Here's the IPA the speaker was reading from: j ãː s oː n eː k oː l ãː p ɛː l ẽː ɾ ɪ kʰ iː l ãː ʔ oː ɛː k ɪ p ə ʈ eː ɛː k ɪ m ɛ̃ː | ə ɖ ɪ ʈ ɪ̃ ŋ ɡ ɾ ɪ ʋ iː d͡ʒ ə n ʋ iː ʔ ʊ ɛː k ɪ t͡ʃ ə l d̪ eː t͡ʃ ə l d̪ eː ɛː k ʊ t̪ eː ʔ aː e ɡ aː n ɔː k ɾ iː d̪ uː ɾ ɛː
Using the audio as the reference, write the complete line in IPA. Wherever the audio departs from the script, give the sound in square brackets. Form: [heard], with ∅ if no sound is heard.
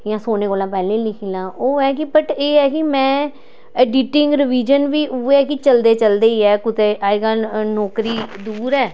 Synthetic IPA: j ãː s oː n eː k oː l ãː p ɛː l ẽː [l] ɪ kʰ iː l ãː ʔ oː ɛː k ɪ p ə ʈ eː ɛː k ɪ m ɛ̃ː | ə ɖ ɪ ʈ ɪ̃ ŋ ɡ ɾ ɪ ʋ iː d͡ʒ ə n ʋ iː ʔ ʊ ɛː k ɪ t͡ʃ ə l d̪ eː t͡ʃ ə l d̪ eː ɛː k ʊ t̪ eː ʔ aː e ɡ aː n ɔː k ɾ iː d̪ uː ɾ ɛː

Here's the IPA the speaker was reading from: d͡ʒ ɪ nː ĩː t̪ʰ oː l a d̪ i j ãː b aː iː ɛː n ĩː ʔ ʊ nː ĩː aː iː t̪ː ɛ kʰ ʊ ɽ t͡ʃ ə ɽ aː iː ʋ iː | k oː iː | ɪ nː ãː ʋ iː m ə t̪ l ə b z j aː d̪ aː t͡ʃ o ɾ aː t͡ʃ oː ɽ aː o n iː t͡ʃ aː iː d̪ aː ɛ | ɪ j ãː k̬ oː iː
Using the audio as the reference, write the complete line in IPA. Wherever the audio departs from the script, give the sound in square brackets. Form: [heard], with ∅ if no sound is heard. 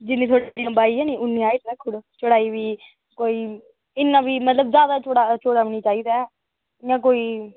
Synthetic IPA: d͡ʒ ɪ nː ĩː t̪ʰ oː [ɽ] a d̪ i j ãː b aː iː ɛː n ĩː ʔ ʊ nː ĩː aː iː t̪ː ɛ kʰ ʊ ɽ t͡ʃ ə ɽ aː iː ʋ iː | k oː iː | ɪ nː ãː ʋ iː m ə t̪ l ə b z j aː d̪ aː t͡ʃ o [ɽ] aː t͡ʃ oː ɽ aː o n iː t͡ʃ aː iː d̪ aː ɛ | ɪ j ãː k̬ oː iː

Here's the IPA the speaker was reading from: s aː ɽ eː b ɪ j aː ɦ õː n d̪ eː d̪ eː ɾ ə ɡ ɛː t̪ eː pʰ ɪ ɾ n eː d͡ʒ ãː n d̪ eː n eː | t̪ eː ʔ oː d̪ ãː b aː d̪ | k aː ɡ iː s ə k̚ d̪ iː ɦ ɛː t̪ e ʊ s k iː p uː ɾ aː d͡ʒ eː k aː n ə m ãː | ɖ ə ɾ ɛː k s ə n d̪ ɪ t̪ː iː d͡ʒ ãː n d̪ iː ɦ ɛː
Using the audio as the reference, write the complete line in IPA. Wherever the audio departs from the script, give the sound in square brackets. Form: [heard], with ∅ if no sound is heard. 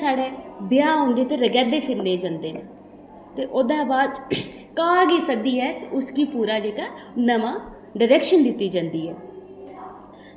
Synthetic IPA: s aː ɽ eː b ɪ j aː ɦ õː n d̪ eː [t̪] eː ɾ ə ɡ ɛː [d̪] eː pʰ ɪ ɾ n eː d͡ʒ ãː n d̪ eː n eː | t̪ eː ʔ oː d̪ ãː b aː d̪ | k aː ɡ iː s ə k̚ d̪ iː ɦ ɛː t̪ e ʊ s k iː p uː ɾ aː d͡ʒ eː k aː n ə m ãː | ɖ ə ɾ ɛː k [ʃ] ə n d̪ ɪ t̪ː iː d͡ʒ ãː n d̪ iː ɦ ɛː

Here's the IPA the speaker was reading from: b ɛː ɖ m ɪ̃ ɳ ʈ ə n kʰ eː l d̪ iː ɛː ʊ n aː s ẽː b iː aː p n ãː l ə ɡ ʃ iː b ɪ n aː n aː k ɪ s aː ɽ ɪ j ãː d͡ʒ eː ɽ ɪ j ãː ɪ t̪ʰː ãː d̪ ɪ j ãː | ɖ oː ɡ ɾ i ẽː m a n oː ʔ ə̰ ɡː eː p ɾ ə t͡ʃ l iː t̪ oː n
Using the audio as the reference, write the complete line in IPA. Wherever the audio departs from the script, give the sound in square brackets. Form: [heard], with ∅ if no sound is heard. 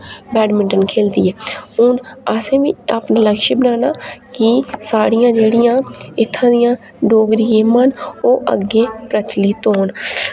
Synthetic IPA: b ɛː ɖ m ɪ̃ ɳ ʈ ə n kʰ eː l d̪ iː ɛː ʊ n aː s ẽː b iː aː p n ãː l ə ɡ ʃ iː b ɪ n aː n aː k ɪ s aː ɽ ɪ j ãː d͡ʒ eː ɽ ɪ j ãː ɪ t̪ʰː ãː d̪ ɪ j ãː | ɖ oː ɡ ɾ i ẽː m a n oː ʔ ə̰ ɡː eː p ɾ ə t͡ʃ l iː t̪ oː n

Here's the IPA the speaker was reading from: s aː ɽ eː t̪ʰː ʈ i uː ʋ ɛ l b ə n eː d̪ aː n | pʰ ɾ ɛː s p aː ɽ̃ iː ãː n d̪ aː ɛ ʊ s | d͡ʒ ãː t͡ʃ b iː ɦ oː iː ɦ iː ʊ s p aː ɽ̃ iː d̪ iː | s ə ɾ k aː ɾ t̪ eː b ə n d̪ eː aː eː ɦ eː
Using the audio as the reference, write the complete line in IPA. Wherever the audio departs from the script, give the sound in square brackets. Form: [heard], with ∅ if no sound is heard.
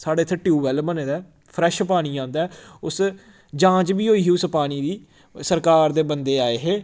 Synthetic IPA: s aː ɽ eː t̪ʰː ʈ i uː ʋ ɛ l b ə n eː d̪ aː [∅] | pʰ ɾ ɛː [ʃ] p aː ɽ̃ iː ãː n d̪ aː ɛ ʊ s | d͡ʒ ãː t͡ʃ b iː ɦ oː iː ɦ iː ʊ s p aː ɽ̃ iː d̪ iː | s ə ɾ k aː ɾ [d̪] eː b ə n d̪ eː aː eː ɦ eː

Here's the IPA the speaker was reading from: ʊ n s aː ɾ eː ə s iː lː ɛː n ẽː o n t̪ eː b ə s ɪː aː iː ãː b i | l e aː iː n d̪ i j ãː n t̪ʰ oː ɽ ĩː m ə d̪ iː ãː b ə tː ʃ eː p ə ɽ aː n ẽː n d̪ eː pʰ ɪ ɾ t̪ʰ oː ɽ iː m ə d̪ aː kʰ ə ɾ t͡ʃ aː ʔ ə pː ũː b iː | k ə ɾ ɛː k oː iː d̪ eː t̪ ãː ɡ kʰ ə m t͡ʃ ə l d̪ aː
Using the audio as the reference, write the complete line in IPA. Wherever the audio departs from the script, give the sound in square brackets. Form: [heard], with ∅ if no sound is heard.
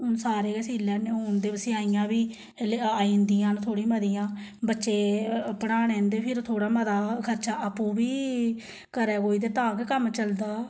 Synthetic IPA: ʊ n s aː ɾ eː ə s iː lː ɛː n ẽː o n [d̪] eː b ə s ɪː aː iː ãː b [iː] | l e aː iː n d̪ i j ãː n t̪ʰ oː ɽ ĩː m ə d̪ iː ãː b ə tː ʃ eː p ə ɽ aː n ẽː n d̪ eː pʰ ɪ ɾ t̪ʰ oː ɽ [aː] m ə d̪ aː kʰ ə ɾ t͡ʃ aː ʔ ə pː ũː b iː | k ə ɾ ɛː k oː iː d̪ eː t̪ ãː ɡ [k] ə m t͡ʃ ə l d̪ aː

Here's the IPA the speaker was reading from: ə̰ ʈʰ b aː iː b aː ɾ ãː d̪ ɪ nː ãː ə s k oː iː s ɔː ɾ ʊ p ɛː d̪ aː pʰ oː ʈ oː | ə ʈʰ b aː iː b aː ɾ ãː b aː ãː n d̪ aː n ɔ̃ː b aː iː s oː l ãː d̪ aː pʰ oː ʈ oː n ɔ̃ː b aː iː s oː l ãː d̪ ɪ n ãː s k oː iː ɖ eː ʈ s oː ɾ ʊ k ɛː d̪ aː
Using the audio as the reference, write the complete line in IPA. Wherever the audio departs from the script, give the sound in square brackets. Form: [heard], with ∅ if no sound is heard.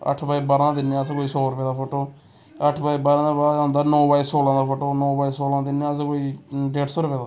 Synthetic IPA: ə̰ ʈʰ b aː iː b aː ɾ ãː d̪ ɪ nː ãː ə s k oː iː s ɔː ɾ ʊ p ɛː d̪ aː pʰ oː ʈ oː | ə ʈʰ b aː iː b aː ɾ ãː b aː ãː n d̪ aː n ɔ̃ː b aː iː s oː l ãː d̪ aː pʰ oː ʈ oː n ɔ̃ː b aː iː s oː l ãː d̪ ɪ n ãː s k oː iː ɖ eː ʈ s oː ɾ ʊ [p] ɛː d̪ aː

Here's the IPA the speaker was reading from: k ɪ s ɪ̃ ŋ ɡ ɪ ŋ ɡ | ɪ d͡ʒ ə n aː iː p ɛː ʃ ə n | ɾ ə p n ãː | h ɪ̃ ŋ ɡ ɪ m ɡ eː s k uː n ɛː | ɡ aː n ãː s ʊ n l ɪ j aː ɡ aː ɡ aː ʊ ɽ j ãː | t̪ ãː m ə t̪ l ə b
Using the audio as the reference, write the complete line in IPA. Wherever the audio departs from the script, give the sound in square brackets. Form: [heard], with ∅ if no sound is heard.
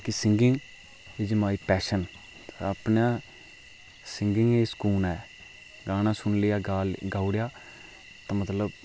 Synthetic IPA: k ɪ s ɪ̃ ŋ ɡ ɪ ŋ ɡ | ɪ d͡ʒ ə [m] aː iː p ɛː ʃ ə n | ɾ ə p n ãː | [s] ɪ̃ ŋ ɡ ɪ [ŋ] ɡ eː s k uː n ɛː | ɡ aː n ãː s ʊ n l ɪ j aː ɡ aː ɡ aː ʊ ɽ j [aː] | t̪ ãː m ə t̪ l ə b

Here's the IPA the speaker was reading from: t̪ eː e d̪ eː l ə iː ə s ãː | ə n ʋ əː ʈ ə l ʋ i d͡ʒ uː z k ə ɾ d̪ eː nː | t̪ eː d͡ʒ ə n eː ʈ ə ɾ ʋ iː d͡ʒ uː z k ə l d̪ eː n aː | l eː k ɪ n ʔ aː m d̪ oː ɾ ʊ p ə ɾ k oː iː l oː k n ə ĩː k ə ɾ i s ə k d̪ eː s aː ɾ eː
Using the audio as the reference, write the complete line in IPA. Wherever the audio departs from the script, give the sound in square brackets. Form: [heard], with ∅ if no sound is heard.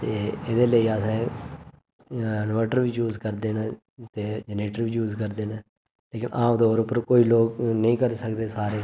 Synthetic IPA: t̪ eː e d̪ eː l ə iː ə s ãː | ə n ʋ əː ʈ ə [ɾ] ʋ [iː] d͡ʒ uː z k ə ɾ d̪ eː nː | t̪ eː d͡ʒ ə n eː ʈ ə ɾ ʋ iː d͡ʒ uː z k ə [ɾ] d̪ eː n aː | l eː k ɪ n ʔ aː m d̪ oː ɾ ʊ p ə ɾ k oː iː l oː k n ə ĩː k ə ɾ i s ə k d̪ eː s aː ɾ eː

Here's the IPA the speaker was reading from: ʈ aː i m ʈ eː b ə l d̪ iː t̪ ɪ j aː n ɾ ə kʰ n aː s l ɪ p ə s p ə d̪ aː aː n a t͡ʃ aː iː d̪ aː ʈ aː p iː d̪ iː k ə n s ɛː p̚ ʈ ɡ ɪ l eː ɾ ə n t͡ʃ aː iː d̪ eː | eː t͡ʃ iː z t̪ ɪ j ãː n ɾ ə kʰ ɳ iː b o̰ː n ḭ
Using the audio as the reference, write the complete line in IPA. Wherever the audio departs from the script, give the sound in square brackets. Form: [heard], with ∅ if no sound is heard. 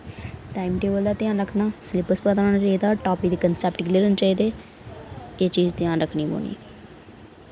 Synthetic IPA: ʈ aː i m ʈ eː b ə l d̪ [aː] t̪ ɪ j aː n ɾ ə kʰ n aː s l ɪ p ə s p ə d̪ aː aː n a t͡ʃ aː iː d̪ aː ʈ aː p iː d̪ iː k ə n s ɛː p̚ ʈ ɡ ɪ l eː ɾ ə n t͡ʃ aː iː d̪ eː | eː t͡ʃ iː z t̪ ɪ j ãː n ɾ ə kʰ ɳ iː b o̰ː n ḭ

